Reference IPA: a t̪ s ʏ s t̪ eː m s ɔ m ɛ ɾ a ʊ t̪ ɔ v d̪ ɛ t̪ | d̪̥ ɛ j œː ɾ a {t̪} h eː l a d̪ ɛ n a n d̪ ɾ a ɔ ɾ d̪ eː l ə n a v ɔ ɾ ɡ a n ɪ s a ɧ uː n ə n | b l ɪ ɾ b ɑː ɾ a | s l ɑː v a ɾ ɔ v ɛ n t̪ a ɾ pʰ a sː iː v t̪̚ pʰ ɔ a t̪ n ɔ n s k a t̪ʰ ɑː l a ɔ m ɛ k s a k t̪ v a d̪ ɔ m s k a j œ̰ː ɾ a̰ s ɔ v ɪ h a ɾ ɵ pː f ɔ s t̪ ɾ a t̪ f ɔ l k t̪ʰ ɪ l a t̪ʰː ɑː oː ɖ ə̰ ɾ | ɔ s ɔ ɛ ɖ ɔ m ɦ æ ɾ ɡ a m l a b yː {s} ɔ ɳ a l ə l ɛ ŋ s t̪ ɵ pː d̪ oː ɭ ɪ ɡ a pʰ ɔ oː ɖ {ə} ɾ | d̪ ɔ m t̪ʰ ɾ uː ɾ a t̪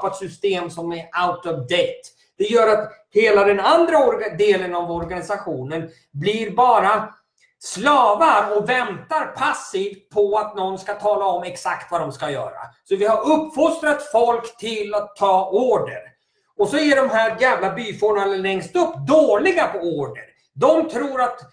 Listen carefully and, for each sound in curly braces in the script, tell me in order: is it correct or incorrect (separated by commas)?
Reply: correct, incorrect, correct